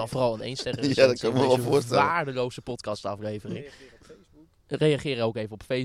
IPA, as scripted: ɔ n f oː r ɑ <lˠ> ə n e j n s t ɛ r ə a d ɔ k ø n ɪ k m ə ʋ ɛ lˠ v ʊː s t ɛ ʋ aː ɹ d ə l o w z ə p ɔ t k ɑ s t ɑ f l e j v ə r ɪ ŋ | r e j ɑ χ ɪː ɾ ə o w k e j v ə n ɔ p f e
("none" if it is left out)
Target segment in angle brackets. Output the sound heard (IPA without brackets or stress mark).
lˠ